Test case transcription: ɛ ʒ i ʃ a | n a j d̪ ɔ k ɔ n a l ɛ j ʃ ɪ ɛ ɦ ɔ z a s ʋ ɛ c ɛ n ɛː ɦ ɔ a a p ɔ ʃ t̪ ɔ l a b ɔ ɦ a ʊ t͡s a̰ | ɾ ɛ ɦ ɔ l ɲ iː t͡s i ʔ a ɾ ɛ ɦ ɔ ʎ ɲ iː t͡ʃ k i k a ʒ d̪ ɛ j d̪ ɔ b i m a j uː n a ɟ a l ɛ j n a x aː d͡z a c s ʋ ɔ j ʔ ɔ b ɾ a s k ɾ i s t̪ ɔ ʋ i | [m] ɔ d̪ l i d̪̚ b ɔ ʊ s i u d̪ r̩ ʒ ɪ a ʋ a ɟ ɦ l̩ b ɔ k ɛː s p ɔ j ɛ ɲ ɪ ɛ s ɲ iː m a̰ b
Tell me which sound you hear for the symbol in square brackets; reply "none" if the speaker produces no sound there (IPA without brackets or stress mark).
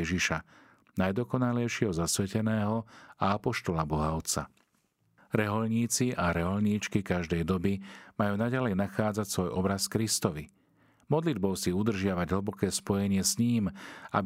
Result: m